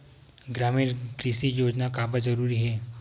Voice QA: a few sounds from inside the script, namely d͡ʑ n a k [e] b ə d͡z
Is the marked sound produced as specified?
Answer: no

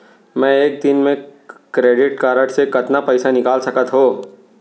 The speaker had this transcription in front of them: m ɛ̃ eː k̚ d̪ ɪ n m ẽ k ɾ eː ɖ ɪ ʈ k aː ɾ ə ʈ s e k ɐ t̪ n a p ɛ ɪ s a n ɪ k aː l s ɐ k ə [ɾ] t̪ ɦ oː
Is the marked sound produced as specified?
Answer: no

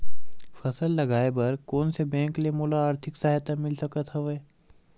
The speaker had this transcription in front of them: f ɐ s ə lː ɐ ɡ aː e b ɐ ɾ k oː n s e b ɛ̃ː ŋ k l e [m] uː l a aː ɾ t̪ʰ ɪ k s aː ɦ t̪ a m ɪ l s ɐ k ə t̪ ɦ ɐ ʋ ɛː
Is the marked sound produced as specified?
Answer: yes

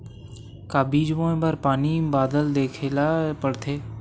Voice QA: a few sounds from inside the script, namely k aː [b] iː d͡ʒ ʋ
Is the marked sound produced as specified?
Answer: yes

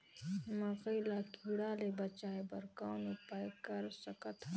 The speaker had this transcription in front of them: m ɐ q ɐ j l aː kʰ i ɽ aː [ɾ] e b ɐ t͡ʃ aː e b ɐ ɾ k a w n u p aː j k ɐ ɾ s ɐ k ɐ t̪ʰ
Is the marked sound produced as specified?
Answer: no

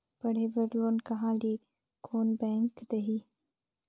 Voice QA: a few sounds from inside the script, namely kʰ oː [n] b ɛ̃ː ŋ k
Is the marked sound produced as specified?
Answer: yes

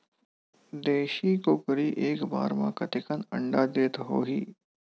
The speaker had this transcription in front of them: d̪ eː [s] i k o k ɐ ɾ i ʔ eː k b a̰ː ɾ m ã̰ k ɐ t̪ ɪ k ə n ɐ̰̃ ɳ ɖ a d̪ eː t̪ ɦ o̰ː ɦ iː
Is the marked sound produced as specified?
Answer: no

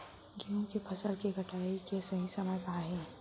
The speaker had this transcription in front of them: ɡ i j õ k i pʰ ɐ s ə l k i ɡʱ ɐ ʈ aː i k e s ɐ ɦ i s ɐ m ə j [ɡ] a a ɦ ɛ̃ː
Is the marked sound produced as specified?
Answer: no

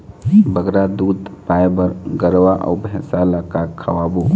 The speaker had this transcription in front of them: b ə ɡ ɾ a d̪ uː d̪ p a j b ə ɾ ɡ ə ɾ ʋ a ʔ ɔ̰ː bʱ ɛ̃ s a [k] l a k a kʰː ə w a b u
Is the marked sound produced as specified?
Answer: no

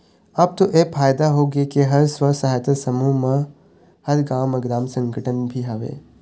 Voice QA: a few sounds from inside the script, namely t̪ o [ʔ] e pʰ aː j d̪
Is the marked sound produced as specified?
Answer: yes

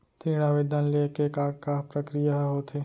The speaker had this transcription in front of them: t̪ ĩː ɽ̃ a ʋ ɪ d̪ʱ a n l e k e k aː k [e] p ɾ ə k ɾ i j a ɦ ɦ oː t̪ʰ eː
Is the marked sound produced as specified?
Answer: no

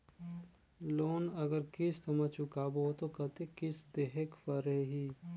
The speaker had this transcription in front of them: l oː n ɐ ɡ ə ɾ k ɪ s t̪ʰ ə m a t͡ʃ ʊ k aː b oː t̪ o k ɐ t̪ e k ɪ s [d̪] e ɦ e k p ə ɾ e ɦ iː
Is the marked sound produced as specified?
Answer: yes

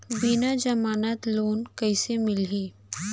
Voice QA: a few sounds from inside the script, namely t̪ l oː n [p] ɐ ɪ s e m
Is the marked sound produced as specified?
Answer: no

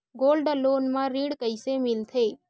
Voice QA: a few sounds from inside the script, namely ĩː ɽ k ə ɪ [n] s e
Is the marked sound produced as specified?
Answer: no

